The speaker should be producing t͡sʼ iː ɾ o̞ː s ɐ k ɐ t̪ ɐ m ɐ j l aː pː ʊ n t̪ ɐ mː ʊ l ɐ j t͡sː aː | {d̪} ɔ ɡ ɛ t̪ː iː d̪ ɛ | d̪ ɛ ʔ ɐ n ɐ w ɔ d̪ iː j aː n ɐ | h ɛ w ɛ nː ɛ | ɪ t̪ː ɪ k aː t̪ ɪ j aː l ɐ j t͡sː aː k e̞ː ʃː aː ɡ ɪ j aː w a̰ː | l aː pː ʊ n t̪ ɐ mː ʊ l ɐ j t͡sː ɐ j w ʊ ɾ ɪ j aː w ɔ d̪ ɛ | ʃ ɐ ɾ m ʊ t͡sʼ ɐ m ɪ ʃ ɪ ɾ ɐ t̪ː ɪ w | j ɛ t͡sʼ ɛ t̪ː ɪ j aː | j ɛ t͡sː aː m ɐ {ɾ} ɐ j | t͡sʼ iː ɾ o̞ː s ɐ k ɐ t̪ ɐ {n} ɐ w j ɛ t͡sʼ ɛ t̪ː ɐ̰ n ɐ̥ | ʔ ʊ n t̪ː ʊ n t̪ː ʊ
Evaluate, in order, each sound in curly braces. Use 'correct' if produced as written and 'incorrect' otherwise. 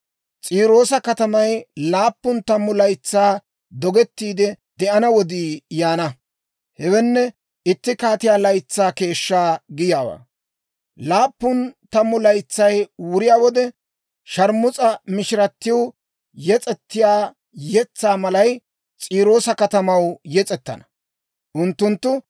correct, incorrect: l, incorrect: m

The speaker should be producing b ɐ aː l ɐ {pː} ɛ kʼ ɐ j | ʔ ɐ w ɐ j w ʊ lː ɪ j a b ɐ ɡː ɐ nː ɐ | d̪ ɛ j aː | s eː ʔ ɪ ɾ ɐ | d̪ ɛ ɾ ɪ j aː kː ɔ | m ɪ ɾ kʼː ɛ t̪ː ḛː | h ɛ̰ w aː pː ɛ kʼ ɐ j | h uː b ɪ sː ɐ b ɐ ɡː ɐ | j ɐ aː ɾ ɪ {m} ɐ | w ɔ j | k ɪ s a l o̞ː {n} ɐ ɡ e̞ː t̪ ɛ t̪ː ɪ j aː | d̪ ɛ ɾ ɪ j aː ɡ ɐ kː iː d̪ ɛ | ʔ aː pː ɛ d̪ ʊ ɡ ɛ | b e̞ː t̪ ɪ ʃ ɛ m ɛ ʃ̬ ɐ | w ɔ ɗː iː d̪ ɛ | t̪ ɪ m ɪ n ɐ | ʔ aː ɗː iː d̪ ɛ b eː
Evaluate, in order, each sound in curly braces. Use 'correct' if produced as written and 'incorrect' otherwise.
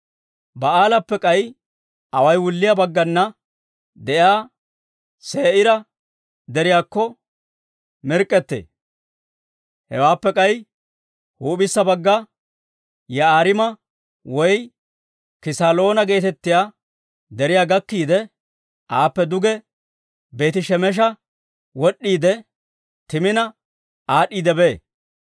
correct, correct, correct

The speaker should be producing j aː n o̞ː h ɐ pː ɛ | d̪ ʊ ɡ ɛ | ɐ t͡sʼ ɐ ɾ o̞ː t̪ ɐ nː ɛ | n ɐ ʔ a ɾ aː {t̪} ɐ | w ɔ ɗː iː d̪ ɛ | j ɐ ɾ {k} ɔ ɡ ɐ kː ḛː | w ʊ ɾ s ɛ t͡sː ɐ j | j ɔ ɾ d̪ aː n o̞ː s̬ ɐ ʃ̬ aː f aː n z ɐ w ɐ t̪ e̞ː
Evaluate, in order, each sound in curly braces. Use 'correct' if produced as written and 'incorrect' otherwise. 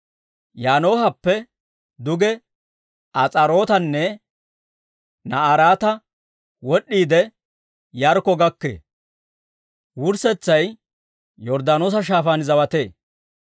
correct, correct

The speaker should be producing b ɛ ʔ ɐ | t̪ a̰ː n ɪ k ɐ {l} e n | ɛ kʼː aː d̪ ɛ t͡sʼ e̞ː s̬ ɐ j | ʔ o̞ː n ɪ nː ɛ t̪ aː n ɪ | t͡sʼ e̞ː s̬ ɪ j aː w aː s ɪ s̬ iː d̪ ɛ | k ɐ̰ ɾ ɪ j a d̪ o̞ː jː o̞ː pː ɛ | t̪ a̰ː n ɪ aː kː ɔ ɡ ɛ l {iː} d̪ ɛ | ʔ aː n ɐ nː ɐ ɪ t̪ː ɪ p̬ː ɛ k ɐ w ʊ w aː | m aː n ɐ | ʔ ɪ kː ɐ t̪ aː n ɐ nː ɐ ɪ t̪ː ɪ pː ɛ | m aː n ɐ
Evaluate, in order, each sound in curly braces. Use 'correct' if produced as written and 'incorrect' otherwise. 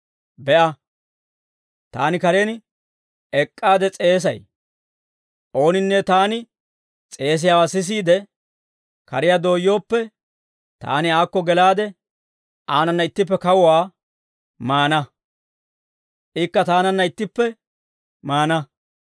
incorrect: ɾ, incorrect: aː

